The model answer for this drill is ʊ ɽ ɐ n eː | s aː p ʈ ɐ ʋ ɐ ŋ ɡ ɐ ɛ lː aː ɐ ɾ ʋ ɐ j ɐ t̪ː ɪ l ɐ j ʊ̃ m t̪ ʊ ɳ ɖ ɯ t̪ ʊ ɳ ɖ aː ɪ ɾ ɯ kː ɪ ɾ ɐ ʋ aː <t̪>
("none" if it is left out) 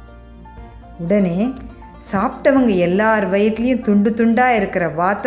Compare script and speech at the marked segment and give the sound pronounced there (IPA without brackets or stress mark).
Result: t̪